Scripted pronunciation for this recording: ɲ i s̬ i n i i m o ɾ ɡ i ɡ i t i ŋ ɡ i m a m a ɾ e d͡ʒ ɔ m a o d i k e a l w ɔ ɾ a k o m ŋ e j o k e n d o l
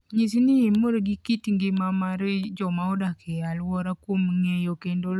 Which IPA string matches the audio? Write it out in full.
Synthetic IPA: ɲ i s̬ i n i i m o ɾ ɡ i k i t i ŋ ɡ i m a m a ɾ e d͡ʒ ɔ m a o d a k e a l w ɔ ɾ a k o m ŋ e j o k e n d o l